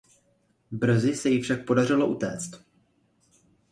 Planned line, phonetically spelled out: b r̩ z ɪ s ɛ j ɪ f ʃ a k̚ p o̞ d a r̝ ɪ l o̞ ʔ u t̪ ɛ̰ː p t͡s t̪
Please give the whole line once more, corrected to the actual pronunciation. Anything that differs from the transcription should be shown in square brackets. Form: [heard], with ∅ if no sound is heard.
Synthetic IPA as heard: b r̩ z ɪ s ɛ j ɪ f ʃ a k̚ p o̞ d a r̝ ɪ l o̞ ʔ u t̪ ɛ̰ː [∅] t͡s t̪